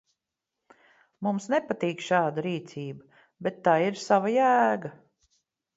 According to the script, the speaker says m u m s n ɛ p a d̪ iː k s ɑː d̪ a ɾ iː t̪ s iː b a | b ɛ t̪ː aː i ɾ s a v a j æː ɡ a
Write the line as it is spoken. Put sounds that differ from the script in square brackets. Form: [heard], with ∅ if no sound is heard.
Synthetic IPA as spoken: m u m s n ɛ p a [t̪] iː k [ʃ] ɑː d̪ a ɾ iː t̪ s iː b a | b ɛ t̪ː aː i ɾ s a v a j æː ɡ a